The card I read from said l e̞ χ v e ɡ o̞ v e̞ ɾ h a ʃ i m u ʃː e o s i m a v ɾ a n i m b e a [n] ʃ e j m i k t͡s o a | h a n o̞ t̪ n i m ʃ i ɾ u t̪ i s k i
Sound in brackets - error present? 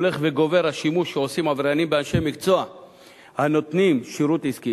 no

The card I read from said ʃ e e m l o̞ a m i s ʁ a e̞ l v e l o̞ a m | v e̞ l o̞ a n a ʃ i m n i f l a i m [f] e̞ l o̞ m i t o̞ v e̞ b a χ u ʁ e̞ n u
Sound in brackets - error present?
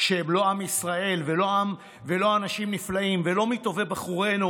yes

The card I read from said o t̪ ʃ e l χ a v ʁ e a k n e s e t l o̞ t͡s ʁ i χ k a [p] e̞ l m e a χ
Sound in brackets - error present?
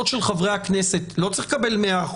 yes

